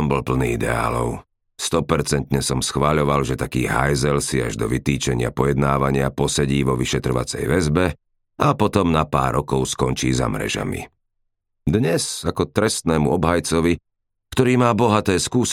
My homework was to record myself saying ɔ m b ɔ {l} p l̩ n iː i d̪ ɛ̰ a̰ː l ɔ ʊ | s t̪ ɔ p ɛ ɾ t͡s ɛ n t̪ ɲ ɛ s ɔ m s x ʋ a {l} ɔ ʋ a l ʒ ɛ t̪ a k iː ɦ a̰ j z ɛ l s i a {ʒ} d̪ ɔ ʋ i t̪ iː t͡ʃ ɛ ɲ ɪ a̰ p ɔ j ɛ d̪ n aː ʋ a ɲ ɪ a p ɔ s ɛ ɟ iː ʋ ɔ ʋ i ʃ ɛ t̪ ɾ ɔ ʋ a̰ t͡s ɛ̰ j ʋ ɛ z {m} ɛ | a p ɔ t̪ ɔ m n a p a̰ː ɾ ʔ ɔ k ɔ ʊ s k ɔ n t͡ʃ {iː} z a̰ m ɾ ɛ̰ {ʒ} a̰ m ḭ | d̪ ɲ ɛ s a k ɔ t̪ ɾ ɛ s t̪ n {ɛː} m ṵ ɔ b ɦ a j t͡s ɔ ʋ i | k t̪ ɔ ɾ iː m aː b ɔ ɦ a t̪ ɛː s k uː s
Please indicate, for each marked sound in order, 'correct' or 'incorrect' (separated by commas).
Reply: correct, incorrect, correct, incorrect, correct, correct, correct